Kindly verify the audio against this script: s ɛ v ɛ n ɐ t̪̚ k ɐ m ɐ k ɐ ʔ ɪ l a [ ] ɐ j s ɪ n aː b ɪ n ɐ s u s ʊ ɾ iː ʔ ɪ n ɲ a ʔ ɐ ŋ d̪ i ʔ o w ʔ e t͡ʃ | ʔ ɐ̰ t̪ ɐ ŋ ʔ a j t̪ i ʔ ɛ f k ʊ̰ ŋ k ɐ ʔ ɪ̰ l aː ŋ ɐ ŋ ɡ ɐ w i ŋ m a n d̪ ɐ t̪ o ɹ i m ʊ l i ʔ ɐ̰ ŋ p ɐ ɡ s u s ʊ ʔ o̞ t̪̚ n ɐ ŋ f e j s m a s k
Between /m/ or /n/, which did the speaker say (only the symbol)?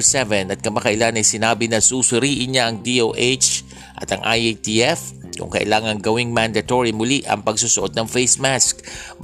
n